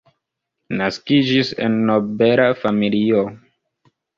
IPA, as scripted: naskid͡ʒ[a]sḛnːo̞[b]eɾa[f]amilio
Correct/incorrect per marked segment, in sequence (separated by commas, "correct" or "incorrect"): incorrect, correct, correct